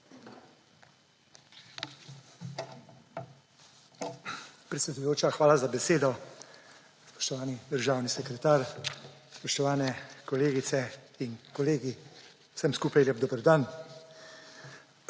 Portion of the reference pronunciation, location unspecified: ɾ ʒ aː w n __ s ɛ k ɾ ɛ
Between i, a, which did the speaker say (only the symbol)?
i